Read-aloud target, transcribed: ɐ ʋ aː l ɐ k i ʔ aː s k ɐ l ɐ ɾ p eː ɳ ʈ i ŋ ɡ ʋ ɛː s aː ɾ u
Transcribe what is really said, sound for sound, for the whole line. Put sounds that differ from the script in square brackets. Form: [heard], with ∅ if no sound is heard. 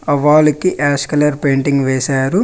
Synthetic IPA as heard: ɐ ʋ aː l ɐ k i ʔ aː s k ɐ l ɐ ɾ p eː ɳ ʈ i ŋ ɡ ʋ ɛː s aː ɾ u